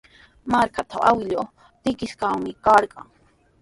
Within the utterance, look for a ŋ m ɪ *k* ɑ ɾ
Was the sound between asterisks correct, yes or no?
yes